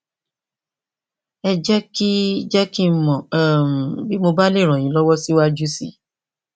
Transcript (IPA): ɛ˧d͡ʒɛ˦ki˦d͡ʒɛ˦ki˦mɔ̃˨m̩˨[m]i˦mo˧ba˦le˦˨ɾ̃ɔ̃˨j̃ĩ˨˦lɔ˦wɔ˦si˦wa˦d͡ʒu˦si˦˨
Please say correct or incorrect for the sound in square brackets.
incorrect